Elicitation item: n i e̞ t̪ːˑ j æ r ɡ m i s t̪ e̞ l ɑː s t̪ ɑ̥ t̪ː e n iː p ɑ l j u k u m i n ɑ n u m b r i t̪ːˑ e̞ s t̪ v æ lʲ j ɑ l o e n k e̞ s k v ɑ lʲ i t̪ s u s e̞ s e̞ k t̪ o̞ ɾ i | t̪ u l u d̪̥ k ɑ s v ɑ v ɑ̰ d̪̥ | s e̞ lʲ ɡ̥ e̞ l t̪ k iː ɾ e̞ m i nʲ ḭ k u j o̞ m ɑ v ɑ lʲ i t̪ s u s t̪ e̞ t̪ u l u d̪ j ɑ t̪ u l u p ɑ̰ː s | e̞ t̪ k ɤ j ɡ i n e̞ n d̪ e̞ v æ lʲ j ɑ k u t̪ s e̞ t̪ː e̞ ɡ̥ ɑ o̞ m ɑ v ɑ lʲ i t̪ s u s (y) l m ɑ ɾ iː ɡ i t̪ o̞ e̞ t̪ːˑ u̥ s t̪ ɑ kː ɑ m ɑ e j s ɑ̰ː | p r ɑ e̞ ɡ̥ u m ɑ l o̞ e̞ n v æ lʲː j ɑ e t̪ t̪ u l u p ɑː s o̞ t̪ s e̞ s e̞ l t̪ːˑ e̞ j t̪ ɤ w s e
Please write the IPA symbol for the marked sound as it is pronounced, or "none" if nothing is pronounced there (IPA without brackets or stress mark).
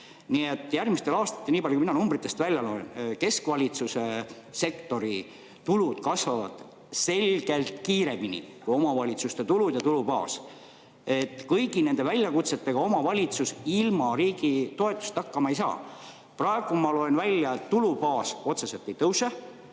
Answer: i